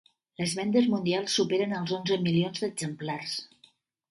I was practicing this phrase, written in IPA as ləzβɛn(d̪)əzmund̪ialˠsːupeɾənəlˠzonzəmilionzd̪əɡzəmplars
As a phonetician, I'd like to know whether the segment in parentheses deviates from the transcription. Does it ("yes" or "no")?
no